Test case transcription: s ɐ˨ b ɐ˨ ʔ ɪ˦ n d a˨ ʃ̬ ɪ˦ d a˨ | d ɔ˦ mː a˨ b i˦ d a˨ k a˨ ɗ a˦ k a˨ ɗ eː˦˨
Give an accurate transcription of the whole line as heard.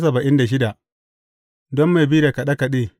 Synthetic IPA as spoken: s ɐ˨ b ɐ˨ ʔ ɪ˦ n d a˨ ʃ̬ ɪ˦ d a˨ | d ɔ˦ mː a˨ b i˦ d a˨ k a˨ ɗ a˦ k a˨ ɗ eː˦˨